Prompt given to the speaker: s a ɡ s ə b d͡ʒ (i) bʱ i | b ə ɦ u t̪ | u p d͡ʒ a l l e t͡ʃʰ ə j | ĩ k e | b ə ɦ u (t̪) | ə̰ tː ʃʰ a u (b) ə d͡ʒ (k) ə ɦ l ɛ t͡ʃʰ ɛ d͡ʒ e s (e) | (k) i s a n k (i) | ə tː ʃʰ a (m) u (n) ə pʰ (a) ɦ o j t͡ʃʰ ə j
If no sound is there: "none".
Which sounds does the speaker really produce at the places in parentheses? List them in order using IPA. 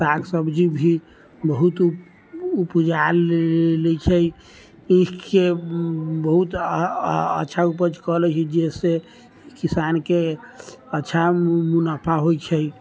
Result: i, t̪, p, k, e, k, e, m, n, a

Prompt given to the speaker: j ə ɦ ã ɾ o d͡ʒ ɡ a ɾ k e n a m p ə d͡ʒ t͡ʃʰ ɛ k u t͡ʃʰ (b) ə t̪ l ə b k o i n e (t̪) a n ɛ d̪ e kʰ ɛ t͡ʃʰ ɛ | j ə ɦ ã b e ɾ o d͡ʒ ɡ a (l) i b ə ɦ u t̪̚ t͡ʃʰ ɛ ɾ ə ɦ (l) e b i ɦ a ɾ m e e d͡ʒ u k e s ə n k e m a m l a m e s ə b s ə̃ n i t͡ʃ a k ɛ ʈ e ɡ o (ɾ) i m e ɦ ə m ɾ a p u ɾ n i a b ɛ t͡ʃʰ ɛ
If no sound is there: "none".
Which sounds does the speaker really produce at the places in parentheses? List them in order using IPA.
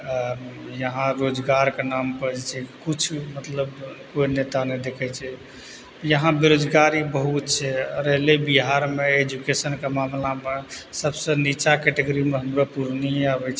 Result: m, t̪, ɾ, l, ɾ

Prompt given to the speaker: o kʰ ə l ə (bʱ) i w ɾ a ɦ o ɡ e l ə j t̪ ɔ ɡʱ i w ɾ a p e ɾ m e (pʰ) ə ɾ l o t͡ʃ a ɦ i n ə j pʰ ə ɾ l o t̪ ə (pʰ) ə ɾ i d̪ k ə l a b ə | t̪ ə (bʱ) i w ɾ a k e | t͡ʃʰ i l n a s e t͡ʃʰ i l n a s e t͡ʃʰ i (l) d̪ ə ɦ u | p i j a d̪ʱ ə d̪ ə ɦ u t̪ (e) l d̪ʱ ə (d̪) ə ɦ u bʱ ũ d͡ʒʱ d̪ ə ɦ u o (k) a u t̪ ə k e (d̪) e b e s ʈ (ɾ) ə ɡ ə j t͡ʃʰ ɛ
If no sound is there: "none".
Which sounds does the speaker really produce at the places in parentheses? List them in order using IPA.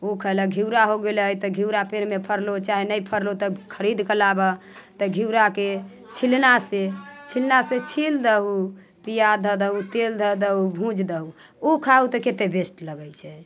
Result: ɡʱ, pʰ, kʰ, ɡʱ, l, e, d̪, kʰ, t̪, l

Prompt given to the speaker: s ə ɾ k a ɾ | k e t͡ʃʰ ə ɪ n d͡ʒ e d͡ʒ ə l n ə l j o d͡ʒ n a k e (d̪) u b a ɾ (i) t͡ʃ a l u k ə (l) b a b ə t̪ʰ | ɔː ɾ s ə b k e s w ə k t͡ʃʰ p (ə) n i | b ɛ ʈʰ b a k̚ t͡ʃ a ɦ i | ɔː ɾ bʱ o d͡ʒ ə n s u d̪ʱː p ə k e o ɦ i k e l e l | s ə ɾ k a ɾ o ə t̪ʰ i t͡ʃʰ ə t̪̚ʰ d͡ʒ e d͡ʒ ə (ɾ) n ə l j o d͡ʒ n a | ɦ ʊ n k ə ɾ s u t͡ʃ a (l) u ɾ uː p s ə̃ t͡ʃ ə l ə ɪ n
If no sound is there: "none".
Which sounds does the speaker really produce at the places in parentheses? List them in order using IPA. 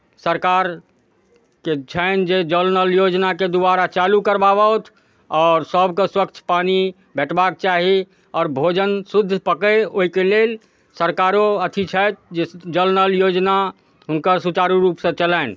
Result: d̪, a, ɾ, a, l, ɾ

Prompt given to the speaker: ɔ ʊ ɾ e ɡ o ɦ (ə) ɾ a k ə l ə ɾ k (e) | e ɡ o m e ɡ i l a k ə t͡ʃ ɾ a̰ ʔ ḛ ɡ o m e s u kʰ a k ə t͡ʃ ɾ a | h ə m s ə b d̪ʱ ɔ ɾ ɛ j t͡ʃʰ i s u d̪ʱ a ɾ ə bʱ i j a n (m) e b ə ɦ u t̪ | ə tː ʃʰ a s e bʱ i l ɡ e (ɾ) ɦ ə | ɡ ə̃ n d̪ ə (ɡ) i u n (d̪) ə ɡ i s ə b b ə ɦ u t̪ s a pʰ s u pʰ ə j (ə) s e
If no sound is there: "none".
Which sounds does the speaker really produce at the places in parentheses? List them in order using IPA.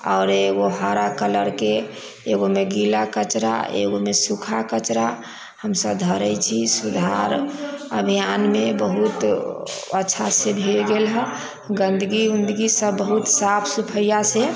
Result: a, e, m, l, ɡ, d̪, a

